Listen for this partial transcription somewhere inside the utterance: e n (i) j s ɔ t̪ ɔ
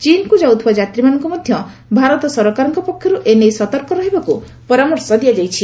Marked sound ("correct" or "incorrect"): incorrect